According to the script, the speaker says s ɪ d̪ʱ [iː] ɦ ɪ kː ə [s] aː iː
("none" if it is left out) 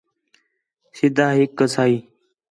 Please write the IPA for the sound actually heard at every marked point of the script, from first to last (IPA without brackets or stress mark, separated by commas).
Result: aː, s